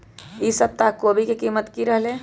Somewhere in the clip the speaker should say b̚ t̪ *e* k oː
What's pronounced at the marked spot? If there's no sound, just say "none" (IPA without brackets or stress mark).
a